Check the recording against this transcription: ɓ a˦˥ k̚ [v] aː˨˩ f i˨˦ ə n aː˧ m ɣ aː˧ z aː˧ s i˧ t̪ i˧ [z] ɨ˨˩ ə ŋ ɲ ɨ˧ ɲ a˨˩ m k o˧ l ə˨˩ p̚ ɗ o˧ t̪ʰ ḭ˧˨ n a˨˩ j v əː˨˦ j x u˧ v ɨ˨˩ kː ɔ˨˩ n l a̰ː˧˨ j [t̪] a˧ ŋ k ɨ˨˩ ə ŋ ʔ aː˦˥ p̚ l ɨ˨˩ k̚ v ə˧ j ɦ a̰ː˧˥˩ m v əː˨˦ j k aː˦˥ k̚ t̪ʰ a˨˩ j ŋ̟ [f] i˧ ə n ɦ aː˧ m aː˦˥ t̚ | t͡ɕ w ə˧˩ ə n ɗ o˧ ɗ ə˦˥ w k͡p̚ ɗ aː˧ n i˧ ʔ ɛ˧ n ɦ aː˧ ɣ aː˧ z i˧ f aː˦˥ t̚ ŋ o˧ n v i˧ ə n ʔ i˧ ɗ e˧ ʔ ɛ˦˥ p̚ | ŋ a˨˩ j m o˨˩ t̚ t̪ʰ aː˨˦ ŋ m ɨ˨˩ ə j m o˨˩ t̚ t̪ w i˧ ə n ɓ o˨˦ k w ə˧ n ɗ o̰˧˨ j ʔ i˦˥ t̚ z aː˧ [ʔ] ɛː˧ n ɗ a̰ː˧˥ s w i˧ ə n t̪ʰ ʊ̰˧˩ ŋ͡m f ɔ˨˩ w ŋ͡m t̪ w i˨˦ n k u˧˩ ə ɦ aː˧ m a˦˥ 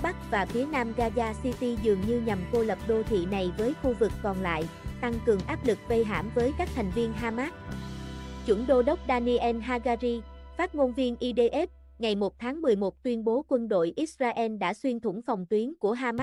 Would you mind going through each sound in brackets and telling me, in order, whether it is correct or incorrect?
correct, correct, correct, incorrect: v, correct

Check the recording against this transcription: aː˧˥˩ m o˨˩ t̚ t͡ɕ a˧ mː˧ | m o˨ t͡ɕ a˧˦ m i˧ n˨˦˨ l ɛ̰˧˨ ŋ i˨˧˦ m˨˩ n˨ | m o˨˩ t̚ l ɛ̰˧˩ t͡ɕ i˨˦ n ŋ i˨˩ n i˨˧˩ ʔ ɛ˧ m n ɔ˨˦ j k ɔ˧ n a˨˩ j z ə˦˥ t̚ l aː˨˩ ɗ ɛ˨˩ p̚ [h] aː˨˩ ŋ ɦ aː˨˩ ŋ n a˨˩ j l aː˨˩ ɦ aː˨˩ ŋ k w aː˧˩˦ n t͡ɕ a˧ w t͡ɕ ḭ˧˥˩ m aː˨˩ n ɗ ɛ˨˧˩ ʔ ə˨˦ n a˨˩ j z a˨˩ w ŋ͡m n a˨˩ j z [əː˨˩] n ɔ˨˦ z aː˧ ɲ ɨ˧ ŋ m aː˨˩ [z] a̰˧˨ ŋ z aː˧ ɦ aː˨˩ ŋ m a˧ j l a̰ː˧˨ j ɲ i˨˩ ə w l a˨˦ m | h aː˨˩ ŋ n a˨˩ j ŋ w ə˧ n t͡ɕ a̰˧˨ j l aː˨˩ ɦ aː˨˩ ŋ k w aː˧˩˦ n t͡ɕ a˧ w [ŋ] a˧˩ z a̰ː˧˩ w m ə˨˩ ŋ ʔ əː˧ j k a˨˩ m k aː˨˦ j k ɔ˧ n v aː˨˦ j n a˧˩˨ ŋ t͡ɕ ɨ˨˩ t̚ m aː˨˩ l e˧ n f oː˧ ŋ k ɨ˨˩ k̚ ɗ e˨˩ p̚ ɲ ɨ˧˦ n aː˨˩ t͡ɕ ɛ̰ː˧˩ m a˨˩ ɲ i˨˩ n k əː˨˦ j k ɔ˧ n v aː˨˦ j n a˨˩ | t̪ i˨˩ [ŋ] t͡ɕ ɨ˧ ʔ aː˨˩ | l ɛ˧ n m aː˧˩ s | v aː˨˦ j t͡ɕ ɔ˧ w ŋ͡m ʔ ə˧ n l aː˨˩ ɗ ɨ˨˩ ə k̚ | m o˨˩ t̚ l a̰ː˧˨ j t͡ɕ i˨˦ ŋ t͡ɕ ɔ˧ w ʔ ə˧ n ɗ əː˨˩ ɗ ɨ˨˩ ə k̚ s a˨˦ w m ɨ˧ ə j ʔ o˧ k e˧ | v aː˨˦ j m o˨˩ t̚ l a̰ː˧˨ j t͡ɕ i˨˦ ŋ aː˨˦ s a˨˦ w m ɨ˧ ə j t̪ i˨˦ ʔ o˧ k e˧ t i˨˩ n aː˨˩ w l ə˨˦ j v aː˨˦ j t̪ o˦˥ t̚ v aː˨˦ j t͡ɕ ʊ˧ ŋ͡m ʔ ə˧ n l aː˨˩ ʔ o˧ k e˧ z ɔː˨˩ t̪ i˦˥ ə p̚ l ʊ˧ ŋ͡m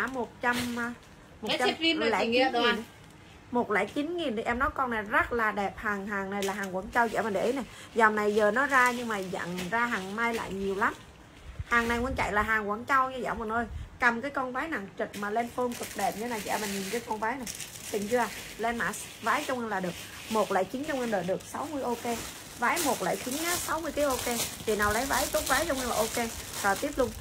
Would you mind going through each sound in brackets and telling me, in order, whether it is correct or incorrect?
correct, correct, correct, incorrect: ɲ, correct

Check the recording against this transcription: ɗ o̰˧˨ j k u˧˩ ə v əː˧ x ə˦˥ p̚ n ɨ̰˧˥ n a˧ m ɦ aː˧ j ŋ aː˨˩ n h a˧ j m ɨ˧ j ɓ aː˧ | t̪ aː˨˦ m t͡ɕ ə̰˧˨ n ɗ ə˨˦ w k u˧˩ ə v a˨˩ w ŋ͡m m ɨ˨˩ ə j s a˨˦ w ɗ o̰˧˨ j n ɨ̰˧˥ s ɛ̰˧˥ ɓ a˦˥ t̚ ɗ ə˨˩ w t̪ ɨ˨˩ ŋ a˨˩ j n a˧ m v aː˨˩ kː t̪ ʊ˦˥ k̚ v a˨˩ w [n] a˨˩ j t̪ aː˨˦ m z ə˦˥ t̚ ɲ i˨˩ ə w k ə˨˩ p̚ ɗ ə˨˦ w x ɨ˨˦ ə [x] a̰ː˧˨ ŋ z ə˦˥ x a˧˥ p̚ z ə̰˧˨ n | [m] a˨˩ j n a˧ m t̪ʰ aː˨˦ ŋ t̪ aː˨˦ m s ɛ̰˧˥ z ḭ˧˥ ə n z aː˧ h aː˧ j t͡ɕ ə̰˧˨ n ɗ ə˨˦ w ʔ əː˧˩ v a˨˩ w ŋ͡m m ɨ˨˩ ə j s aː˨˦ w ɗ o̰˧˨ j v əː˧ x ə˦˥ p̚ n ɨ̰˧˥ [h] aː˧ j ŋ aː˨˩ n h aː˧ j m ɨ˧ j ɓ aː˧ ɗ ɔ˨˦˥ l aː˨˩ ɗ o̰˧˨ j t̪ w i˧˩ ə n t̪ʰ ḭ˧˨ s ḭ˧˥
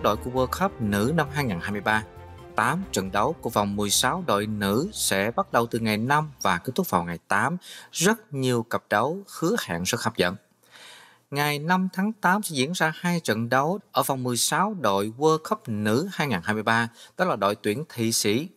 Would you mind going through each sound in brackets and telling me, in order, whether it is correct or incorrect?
incorrect: ŋ, incorrect: h, incorrect: ŋ, correct

